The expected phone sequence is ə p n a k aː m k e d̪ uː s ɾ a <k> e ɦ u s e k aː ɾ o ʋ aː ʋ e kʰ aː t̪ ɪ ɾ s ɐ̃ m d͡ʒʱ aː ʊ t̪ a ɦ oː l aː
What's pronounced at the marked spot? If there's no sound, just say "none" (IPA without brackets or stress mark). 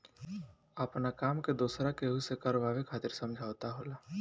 k